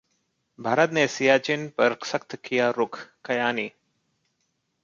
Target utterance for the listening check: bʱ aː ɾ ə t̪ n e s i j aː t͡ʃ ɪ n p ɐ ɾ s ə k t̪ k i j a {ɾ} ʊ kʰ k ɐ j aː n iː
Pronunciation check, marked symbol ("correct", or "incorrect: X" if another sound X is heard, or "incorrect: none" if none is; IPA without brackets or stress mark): correct